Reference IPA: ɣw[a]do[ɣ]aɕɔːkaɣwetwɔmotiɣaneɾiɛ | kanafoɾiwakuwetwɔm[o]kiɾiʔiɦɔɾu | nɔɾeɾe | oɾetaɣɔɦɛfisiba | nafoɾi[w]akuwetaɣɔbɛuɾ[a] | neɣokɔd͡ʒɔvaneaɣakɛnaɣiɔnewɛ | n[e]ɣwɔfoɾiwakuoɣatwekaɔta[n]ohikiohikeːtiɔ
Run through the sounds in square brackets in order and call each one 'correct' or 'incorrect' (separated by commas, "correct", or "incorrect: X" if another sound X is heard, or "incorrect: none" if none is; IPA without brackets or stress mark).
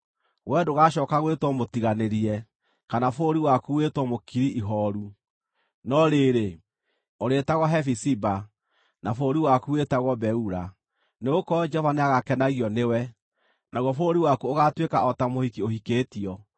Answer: incorrect: ɛ, correct, correct, correct, correct, incorrect: a, incorrect: m